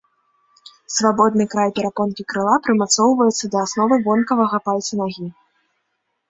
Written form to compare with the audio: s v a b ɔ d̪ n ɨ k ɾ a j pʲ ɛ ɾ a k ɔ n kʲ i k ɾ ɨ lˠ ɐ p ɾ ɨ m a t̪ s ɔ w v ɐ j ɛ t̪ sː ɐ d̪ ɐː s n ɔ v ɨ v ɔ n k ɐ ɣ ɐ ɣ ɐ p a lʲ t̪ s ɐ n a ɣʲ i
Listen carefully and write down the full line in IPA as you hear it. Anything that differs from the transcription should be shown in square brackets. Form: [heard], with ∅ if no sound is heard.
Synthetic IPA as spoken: s v a b ɔ d̪ n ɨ k ɾ a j pʲ ɛ ɾ a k ɔ n kʲ i k ɾ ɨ lˠ [a] p ɾ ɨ m a t̪ s ɔ w v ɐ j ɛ t̪ sː ɐ d̪ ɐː s n ɔ v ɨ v ɔ n k ɐ [v] ɐ ɣ ɐ p a lʲ t̪ s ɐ n a ɣʲ i